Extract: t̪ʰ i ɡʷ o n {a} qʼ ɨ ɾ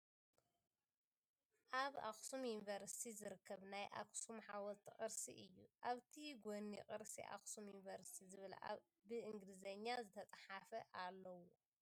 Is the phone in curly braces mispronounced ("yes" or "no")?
yes